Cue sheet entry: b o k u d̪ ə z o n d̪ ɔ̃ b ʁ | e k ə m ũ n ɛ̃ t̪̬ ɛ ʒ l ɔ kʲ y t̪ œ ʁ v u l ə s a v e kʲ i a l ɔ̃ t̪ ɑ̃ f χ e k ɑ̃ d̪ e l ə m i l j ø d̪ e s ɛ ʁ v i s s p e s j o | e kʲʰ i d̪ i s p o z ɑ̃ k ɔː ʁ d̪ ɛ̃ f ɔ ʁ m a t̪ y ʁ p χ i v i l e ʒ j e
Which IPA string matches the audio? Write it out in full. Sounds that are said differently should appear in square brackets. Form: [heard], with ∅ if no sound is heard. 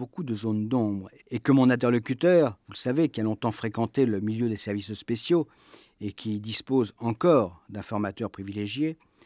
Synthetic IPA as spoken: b o k u d̪ ə z o n d̪ ɔ̃ b ʁ | e k ə m [ɔ̃] n ɛ̃ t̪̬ ɛ [ʁ] l ɔ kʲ y t̪ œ ʁ v u l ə s a v e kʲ i a l ɔ̃ t̪ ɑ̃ f χ e k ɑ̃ [t̪] e l ə m i l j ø d̪ e s ɛ ʁ v i s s p e s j o | e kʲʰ i d̪ i s p o z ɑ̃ k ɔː ʁ d̪ ɛ̃ f ɔ ʁ m a t̪ [œ] ʁ p χ i v i l e ʒ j e